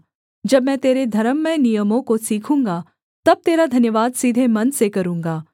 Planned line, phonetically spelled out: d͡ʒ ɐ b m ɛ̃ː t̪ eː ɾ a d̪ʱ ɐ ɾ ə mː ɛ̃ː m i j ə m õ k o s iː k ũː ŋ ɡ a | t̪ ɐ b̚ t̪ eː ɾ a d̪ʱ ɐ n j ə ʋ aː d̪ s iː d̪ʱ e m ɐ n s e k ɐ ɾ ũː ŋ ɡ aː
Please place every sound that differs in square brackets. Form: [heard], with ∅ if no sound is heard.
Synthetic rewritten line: d͡ʒ ɐ b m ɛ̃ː t̪ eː ɾ [e] d̪ʱ ɐ ɾ ə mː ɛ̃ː [n] i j ə m õ k o s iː [kʰ] ũː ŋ ɡ a | t̪ ɐ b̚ t̪ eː ɾ a d̪ʱ ɐ n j ə ʋ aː d̪ s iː d̪ʱ e m ɐ n s e k ɐ ɾ ũː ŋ ɡ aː